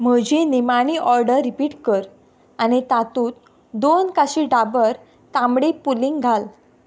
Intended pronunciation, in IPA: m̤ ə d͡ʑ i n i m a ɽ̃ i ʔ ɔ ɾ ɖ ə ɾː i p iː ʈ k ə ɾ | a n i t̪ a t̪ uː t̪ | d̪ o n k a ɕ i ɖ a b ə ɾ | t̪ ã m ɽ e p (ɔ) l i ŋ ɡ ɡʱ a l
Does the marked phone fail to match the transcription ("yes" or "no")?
yes